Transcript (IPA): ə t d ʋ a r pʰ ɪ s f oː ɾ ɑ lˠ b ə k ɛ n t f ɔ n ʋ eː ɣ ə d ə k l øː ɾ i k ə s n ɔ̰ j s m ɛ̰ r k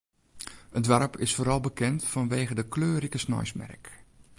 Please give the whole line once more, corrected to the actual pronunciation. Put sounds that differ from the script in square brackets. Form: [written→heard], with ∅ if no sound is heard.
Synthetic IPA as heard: ə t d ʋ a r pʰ ɪ s f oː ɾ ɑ lˠ b ə k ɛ n t f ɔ n ʋ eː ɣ ə d ə k l øː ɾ i k ə s n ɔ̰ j s m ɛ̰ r k